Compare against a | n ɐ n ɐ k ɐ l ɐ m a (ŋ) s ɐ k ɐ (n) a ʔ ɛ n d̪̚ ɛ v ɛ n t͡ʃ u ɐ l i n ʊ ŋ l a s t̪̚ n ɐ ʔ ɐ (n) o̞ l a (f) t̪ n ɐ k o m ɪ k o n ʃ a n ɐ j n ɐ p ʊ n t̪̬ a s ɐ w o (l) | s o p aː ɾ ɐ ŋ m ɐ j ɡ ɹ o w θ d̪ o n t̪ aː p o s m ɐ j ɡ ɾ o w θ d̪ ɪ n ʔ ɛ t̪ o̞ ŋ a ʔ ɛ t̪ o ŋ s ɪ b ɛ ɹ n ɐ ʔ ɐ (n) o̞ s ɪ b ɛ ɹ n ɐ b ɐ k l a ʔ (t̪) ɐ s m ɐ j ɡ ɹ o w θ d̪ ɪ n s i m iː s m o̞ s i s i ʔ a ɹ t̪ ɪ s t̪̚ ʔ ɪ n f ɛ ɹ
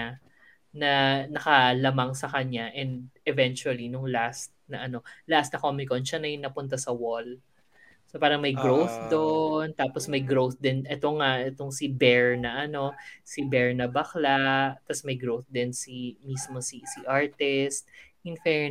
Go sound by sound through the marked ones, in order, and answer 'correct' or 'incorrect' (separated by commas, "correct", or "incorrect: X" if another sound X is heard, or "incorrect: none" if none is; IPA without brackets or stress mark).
correct, incorrect: ɲ, correct, incorrect: s, correct, correct, correct